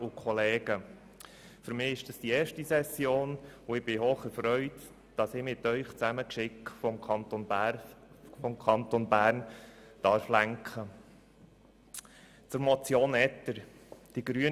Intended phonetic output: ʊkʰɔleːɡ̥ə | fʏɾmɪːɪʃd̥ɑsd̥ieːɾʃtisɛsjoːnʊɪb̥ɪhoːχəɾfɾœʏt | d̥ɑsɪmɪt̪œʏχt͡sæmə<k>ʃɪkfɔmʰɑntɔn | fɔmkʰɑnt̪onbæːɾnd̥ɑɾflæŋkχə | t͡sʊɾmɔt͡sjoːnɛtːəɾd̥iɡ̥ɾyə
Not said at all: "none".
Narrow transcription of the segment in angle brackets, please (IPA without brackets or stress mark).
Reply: k